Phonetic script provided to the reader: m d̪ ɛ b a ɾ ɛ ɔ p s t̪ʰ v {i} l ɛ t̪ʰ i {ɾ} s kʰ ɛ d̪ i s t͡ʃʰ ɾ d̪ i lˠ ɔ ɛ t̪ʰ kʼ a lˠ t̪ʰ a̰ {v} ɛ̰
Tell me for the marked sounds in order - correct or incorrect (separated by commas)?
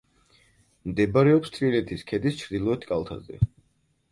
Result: correct, incorrect, incorrect